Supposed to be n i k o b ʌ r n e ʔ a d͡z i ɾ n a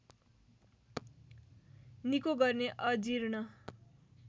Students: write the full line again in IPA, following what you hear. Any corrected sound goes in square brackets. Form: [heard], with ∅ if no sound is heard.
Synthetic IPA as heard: n i k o [ɡ] ʌ r n e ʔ [ʌ] d͡z i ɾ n [ʌ]